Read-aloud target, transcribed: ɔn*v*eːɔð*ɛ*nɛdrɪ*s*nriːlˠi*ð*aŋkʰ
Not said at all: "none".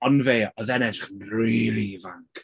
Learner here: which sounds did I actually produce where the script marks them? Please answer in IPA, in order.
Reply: v, ɛ, χ, v

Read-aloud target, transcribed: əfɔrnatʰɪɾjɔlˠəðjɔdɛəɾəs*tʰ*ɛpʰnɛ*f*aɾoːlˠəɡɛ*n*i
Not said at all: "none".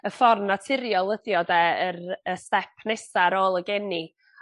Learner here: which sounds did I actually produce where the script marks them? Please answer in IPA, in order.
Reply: t, s, n

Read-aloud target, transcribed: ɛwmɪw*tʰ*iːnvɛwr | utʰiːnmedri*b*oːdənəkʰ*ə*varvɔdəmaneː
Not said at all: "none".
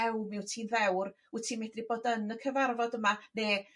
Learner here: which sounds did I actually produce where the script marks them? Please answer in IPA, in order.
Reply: tʰ, b, ə

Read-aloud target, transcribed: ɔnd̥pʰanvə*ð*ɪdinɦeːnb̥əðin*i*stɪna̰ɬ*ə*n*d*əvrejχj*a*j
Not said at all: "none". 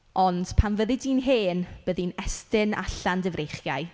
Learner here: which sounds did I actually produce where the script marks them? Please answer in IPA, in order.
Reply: ð, ɛ, a, d, a

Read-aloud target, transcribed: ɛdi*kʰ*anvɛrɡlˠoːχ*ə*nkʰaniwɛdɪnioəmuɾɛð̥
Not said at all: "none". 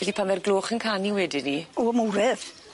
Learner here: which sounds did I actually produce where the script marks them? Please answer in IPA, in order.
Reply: pʰ, ə

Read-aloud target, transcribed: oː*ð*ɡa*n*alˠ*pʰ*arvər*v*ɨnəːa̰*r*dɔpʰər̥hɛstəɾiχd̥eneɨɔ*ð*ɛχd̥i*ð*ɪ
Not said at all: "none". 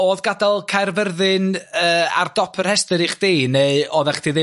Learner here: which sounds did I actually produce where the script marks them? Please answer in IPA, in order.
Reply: ð, d, kʰ, ð, r, ð, ð

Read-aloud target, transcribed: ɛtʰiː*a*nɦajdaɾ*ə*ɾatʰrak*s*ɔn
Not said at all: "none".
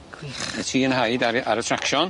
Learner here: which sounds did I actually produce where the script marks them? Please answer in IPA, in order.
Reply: ə, a, ʃ

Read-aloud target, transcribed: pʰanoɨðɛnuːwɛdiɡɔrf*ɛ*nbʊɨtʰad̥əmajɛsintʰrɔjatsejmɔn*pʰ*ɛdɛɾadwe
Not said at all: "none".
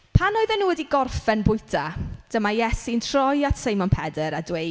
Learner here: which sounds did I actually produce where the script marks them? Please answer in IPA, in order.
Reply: ɛ, pʰ

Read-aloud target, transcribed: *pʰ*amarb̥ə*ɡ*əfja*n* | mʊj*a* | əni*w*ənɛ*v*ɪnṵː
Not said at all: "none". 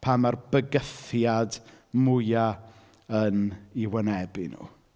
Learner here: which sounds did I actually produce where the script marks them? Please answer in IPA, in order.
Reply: pʰ, ɡ, d, a, w, b

